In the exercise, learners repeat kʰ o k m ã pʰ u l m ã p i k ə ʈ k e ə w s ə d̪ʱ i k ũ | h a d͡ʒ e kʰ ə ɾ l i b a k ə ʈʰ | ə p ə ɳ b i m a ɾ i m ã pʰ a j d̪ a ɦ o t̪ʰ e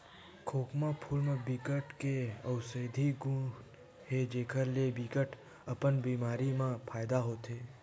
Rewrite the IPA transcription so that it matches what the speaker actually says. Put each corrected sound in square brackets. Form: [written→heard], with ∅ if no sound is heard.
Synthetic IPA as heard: kʰ o k m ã pʰ u l m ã [p→b] i k ə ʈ k e ə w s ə d̪ʱ i [k→ɡ] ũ | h [a→e] d͡ʒ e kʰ ə ɾ l [i→e] b [a→i] k ə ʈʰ | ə p ə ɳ b i m a ɾ i m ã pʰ a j d̪ a ɦ o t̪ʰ e